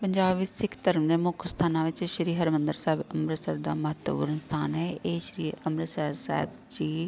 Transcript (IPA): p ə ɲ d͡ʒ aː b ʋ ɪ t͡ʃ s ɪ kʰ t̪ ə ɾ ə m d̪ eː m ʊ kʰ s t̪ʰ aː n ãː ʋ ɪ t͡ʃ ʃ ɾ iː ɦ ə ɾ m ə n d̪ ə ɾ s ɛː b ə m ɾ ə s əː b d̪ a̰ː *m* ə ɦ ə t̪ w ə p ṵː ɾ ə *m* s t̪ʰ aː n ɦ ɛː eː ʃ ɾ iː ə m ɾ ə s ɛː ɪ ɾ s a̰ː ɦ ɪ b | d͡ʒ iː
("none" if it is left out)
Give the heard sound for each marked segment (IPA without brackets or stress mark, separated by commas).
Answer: m, n